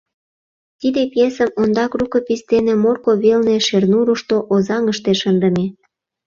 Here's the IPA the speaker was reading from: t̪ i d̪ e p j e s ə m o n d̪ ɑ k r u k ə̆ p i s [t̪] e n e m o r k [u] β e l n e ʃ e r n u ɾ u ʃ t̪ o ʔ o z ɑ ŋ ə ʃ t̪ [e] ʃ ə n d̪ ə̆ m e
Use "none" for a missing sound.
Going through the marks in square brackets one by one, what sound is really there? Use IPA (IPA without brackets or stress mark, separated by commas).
t̪, o, e